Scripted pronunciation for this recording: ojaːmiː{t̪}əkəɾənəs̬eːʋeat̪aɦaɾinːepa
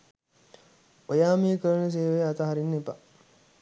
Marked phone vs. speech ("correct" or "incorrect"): incorrect